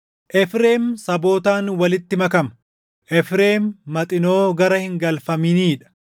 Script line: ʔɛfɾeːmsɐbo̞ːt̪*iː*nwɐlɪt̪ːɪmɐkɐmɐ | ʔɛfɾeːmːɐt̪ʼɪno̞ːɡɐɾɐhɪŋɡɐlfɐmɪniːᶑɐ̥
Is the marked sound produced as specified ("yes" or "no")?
no